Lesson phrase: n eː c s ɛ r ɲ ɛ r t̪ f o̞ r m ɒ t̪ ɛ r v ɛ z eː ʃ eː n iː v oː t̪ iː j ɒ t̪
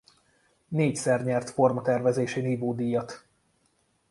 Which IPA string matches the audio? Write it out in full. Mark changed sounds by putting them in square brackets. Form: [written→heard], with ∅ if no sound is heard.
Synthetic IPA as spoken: n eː c s ɛ r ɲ ɛ r t̪ f o̞ r m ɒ t̪ ɛ r v ɛ z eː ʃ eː n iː v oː [t̪→d̪] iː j ɒ t̪